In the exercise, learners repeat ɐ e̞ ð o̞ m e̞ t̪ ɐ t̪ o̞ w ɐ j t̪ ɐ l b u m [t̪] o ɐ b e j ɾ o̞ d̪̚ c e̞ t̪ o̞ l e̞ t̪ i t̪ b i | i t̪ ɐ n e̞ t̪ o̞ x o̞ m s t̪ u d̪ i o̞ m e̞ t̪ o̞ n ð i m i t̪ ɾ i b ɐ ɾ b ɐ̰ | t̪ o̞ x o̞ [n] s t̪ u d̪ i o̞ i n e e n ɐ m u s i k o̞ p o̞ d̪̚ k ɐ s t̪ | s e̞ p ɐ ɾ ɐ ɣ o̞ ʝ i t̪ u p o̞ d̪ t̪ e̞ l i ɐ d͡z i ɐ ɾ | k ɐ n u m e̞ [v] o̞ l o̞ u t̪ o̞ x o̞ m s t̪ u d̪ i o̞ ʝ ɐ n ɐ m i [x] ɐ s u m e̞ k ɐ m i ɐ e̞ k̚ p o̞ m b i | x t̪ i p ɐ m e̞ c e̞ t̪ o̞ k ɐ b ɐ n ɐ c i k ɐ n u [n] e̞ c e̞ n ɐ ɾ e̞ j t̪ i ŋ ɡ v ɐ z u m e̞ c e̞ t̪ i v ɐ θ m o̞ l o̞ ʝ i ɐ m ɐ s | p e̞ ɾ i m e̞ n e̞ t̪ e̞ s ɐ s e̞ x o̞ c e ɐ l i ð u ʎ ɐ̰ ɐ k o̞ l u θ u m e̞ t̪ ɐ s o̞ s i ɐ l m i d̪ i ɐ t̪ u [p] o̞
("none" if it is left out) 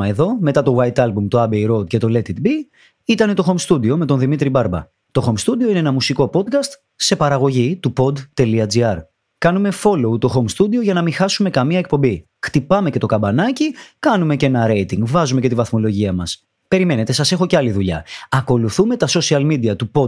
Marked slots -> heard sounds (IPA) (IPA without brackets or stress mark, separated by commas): t̪, m, f, x, m, p